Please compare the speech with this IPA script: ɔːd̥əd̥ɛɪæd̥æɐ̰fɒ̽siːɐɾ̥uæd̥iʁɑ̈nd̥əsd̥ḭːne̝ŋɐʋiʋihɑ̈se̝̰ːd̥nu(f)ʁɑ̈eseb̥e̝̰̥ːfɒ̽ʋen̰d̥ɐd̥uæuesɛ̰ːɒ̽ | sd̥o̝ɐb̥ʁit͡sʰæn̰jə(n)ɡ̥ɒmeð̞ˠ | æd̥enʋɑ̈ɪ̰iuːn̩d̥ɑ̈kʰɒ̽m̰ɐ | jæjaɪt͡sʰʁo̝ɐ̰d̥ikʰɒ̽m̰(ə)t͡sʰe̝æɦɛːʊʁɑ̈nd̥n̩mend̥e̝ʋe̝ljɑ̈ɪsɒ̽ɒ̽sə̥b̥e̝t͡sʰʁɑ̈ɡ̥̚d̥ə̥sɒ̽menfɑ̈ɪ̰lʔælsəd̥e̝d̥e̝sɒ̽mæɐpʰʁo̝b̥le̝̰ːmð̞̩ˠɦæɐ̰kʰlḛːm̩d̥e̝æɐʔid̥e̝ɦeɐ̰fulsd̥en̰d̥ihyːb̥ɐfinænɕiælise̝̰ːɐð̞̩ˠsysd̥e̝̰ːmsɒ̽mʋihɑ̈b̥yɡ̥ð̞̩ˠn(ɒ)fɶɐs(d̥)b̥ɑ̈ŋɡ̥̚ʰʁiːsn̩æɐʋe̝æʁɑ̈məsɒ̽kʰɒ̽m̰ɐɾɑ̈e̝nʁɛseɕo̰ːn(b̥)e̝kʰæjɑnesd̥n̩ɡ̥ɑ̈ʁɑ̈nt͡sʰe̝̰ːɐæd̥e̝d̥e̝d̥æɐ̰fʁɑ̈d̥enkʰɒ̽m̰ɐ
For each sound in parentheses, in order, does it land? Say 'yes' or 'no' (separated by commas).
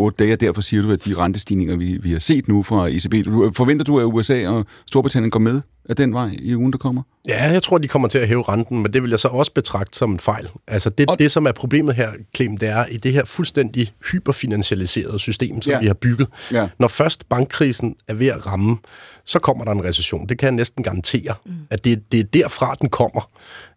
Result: yes, yes, no, yes, yes, no